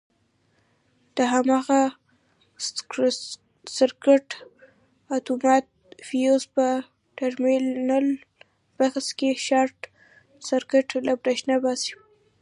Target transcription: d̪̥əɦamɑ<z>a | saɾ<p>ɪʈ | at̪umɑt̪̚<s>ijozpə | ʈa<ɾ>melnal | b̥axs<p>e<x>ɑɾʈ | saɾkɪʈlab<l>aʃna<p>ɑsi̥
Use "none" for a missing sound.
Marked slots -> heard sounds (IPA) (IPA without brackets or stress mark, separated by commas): ɣ, k, f, ɾ, k, ʃ, ɾ, b